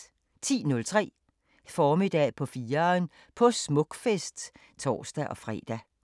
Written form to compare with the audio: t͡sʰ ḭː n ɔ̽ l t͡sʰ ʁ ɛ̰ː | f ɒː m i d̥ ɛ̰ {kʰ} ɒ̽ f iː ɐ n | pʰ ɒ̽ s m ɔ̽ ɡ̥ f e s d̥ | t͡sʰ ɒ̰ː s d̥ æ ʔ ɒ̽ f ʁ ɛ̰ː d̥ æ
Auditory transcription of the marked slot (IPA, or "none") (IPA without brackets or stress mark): pʰ